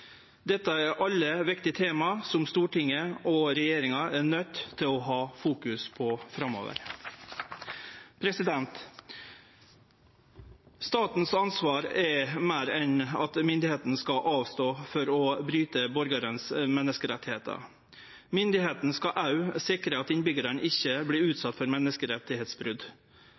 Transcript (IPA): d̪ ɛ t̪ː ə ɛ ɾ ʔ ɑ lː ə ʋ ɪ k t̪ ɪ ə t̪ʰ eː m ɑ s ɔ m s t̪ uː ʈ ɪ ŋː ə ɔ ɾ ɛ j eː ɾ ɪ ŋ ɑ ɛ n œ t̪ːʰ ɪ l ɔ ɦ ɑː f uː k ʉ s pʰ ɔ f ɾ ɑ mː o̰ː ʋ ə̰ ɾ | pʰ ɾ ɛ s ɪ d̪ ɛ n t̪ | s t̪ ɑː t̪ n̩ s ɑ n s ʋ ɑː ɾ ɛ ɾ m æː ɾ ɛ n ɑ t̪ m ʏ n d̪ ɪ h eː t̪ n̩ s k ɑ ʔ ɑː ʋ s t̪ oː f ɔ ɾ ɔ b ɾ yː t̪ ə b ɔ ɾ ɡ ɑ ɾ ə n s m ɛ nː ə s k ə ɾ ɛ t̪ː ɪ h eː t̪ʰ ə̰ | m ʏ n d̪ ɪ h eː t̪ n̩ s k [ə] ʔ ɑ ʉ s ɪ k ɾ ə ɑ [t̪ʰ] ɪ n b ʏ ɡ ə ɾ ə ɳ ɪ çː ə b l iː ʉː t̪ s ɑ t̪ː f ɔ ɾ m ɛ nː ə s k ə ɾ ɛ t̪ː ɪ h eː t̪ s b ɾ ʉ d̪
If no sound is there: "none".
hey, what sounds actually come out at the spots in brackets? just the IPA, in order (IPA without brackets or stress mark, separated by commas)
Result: ɑ, t̪